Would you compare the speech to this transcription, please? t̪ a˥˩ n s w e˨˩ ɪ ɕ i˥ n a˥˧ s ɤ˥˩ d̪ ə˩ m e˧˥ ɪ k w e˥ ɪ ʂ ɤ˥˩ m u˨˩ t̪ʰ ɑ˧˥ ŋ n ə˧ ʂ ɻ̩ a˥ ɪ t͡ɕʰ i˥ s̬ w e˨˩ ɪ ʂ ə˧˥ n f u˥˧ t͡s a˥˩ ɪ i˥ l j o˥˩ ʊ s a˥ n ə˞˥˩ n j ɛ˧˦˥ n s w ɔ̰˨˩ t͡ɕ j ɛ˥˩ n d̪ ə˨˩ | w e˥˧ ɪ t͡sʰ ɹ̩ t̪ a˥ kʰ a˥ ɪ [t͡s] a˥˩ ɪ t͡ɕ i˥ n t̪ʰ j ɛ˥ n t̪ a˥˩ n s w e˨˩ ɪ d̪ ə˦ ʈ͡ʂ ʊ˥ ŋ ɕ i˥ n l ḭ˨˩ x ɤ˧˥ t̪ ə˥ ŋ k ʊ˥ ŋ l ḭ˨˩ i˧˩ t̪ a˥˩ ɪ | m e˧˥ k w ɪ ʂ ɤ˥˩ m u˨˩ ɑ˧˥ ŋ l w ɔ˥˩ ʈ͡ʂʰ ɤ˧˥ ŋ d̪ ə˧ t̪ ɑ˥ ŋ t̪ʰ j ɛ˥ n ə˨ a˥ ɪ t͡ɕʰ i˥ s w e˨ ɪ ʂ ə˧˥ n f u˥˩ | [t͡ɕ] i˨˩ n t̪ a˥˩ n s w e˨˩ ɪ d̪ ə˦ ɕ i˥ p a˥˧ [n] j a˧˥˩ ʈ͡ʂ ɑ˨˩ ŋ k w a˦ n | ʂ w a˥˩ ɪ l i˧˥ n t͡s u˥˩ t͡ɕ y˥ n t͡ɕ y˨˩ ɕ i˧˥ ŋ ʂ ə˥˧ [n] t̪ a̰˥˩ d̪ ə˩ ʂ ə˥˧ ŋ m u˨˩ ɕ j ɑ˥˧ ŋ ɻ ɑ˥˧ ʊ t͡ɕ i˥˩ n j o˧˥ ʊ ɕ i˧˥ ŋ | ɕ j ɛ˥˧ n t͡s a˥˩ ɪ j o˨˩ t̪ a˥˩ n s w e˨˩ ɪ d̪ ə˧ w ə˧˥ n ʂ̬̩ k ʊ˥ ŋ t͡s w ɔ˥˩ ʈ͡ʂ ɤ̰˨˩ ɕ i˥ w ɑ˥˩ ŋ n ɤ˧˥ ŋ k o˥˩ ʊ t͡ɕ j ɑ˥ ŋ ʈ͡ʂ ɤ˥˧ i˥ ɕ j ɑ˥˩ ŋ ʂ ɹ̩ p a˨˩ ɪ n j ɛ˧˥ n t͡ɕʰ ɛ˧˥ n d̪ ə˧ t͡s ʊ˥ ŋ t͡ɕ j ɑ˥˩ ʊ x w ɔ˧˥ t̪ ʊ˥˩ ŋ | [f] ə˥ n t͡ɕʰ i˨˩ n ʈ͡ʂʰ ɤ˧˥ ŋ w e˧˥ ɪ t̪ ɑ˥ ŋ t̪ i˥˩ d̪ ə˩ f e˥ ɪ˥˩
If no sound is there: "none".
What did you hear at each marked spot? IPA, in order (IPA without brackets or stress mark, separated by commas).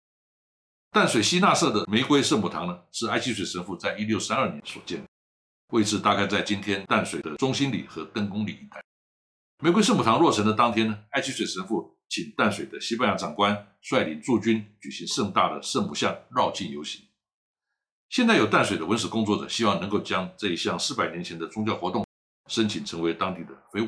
t͡s, t͡ɕʰ, n, ŋ, ʂ